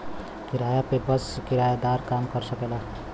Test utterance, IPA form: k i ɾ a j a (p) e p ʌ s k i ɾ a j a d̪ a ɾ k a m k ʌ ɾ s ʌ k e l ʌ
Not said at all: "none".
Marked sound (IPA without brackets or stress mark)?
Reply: p